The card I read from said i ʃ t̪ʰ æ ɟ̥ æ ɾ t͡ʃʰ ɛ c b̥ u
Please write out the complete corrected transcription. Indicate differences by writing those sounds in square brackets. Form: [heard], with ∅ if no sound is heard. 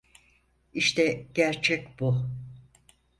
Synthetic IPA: i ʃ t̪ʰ [ɛ] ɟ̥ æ ɾ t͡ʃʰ ɛ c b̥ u

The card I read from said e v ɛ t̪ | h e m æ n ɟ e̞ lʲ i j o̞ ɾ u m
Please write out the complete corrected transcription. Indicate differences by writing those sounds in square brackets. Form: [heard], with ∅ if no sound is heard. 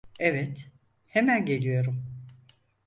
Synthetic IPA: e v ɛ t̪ | h e m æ n ɟ e̞ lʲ i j o̞ ɾ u m

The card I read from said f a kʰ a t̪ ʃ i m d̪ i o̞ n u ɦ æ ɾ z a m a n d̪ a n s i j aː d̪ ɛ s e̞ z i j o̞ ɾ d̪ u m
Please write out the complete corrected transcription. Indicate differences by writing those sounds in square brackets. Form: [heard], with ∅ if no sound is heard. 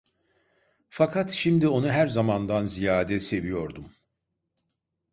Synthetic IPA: f a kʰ a t̪ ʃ i m d̪ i o̞ n u ɦ æ ɾ z a m a n d̪ a n [z] i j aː d̪ ɛ s e̞ [v] i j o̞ ɾ d̪ u m

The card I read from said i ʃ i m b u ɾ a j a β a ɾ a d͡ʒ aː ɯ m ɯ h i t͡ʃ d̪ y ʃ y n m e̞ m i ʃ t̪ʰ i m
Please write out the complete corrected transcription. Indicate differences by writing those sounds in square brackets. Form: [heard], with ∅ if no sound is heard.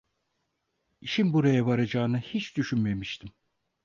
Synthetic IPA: i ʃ i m b u ɾ a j a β a ɾ a d͡ʒ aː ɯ [n] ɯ h i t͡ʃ d̪ y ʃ y n m e̞ m i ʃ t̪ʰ i m

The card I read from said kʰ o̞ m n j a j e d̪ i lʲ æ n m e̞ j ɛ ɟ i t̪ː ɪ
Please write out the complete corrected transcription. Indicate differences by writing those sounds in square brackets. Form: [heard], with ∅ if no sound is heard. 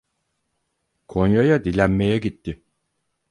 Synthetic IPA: kʰ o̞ [∅] n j a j [a] d̪ i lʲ æ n m e̞ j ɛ ɟ i t̪ː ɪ

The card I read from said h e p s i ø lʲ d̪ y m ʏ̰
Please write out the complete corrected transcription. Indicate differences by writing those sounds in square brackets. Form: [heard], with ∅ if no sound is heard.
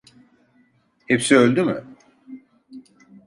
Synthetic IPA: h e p s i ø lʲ d̪ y m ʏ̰

